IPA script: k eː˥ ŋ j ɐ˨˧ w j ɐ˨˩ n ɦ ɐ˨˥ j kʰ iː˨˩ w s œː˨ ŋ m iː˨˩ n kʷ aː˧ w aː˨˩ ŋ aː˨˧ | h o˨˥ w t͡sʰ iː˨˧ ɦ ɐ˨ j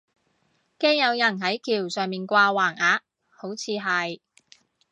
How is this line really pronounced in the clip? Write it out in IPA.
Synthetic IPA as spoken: k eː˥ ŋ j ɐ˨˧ w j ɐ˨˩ n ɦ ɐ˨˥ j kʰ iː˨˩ w s œː˨ ŋ m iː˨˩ n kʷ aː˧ w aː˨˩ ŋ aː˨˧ | h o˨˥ w t͡sʰ iː˨˧ ɦ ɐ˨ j